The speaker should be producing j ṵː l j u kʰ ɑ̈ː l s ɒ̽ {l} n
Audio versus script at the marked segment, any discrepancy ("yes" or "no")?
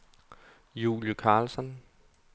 yes